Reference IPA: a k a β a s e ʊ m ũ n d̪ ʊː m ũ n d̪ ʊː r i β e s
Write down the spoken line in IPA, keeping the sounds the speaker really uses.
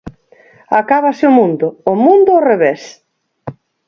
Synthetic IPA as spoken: a k a β a s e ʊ m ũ n d̪ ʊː m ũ n d̪ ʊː r e β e s